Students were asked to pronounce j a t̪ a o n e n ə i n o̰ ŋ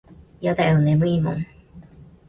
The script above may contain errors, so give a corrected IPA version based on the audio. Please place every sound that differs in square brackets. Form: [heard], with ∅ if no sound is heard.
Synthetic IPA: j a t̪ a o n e [m] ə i [m] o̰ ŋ